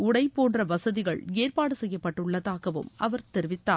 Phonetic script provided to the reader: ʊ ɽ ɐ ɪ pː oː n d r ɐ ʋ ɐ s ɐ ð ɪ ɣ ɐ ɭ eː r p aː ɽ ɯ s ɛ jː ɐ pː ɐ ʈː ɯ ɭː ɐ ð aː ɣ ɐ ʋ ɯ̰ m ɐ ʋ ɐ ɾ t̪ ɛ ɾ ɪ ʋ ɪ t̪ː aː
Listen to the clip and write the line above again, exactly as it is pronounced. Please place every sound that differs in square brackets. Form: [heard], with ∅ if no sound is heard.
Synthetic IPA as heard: ʊ ɽ ɐ ɪ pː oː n d r ɐ ʋ ɐ s ɐ ð ɪ ɣ ɐ ɭ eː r p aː ɽ ɯ s ɛ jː ɐ pː ɐ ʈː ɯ ɭː ɐ ð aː ɣ ɐ ʋ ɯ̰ m ɐ ʋ ɐ ɾ t̪ ɛ ɾ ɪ ʋ ɪ t̪ː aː